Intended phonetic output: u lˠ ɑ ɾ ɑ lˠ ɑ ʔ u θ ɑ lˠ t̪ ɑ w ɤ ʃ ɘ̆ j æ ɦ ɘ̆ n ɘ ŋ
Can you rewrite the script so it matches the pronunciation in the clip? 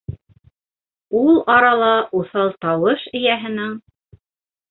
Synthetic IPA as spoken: u lˠ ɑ ɾ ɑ lˠ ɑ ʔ u θ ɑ lˠ t̪ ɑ w ɤ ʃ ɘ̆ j æ ɦ ɘ̆ n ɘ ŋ